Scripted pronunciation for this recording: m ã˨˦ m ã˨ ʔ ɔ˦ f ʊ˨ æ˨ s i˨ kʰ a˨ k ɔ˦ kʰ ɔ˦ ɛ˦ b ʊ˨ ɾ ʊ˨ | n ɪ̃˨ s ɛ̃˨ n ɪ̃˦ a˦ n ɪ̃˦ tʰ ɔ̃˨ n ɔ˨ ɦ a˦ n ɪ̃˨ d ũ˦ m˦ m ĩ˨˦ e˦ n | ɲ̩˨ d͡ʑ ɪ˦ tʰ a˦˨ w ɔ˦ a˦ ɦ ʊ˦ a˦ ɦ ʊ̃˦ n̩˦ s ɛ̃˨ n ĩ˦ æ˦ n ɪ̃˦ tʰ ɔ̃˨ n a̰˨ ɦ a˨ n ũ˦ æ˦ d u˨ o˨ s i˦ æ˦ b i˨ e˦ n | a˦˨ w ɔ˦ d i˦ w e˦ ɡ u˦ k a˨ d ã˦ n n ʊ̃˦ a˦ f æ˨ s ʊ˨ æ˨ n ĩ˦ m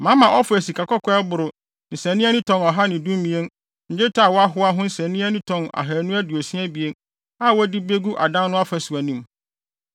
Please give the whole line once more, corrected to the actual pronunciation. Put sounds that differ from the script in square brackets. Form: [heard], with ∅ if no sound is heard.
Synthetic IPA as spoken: m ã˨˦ m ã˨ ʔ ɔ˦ f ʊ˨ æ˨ s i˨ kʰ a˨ k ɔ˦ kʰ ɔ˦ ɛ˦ b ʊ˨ ɾ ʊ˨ | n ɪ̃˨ s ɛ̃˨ n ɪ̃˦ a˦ n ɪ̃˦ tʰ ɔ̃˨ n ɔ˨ ɦ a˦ n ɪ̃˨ d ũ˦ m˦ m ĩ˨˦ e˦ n | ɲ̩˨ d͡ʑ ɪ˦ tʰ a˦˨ w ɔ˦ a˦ ɦ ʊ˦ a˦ ɦ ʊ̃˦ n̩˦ s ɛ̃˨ n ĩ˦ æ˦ n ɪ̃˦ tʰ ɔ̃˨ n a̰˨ ɦ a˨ n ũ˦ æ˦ d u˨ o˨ s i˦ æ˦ b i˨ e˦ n | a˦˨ w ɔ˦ d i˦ [b] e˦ ɡ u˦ [ʔ] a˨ d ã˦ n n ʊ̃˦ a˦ f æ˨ s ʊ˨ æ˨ n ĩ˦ m